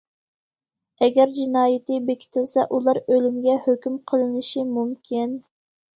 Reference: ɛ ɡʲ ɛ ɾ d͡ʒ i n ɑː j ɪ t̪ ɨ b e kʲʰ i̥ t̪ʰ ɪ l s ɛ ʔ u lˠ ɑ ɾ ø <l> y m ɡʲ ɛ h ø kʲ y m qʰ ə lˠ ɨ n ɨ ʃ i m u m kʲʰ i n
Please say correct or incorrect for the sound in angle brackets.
correct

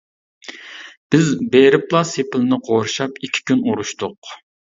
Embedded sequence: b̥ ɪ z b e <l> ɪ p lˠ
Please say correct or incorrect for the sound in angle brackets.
incorrect: ɾ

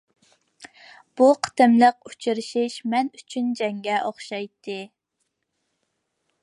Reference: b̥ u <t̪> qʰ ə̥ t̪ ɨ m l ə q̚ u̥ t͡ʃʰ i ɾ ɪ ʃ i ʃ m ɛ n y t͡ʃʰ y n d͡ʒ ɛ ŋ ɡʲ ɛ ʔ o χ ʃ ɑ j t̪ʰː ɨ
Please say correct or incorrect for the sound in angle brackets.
incorrect: none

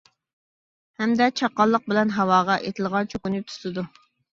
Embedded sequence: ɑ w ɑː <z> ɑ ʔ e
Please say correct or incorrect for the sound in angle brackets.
incorrect: ʁ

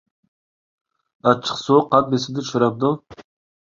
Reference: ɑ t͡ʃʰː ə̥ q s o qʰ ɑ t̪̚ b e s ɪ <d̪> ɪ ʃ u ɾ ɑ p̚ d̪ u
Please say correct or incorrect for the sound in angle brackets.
correct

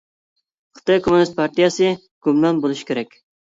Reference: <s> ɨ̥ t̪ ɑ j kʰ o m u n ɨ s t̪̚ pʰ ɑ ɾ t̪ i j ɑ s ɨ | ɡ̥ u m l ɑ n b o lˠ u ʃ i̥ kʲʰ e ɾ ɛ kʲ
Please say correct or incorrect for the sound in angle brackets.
incorrect: χ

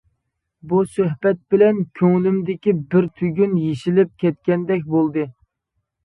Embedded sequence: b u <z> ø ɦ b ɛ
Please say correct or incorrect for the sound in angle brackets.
incorrect: s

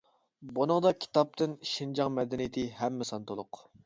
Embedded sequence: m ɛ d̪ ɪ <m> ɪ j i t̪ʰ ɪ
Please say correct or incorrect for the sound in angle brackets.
incorrect: n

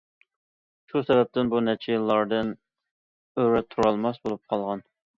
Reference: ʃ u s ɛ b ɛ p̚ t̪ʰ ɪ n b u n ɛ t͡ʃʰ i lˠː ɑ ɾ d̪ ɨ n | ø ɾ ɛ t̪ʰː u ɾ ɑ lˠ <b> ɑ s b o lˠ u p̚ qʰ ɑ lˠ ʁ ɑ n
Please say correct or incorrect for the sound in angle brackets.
incorrect: m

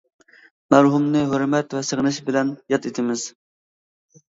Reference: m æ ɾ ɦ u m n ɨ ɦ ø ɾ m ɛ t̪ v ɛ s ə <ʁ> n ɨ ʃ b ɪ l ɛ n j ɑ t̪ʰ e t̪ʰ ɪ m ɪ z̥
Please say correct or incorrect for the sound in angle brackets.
correct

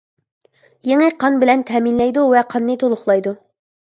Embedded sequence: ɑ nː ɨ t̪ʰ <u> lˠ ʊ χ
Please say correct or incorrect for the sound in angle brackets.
incorrect: o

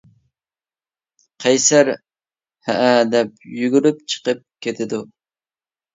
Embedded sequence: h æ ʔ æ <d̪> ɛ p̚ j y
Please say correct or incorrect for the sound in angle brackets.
correct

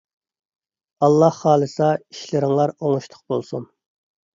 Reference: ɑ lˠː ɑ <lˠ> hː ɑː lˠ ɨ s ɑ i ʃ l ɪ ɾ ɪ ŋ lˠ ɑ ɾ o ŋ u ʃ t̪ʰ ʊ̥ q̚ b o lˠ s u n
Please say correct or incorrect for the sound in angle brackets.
incorrect: none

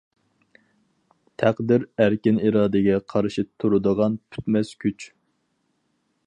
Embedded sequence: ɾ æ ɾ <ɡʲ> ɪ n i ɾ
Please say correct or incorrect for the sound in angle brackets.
incorrect: kʲ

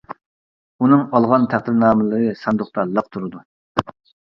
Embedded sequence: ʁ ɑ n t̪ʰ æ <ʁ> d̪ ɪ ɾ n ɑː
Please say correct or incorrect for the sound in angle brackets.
incorrect: χ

